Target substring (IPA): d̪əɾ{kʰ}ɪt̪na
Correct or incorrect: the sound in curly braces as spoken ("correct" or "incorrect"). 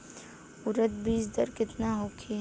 incorrect